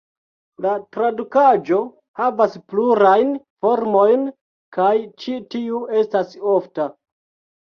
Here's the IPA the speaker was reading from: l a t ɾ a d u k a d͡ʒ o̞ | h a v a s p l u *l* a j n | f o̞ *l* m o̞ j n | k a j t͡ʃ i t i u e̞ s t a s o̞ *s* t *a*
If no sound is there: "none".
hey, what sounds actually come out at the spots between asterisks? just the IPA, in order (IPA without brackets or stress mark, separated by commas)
ɾ, ɾ, f, a